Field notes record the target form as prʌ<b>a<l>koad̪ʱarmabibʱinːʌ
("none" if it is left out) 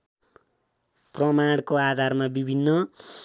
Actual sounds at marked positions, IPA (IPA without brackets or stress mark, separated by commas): m, ɽ